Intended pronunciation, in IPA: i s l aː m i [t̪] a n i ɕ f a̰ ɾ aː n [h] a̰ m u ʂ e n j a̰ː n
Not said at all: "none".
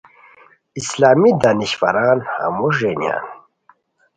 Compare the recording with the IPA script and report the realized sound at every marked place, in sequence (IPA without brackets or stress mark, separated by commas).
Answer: d̪, h